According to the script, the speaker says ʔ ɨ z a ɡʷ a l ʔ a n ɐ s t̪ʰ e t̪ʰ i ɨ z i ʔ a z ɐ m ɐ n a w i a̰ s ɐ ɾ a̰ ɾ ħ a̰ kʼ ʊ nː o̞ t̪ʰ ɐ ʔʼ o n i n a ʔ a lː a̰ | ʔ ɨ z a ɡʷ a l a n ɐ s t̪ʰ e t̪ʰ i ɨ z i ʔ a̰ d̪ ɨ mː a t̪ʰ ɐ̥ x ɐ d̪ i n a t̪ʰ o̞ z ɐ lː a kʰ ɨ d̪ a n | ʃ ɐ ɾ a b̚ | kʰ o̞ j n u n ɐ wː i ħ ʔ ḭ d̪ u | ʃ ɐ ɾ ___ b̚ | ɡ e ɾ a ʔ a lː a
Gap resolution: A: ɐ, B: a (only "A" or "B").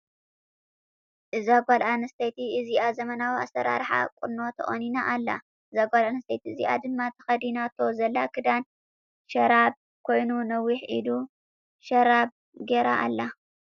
B